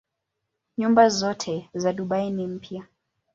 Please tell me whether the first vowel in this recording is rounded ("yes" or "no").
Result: yes